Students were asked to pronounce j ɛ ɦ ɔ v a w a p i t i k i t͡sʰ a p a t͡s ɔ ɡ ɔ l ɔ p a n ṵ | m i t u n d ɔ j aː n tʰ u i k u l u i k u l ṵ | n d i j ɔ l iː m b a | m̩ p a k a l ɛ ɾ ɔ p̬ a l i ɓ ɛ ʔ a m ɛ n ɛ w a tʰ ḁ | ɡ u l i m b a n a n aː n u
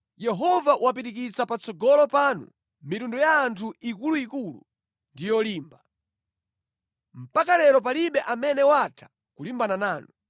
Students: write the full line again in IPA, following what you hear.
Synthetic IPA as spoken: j ɛ ɦ ɔ v a w a p i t i k i t͡s a p a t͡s ɔ ɡ ɔ l ɔ p a n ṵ | m i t u n d ɔ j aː n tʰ u i k u l u i k u l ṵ | n d i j ɔ l iː m b a | m̩ p a k a l ɛ ɾ ɔ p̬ a l i ɓ ɛ ʔ a m ɛ n ɛ w a tʰ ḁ | k u l i m b a n a n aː n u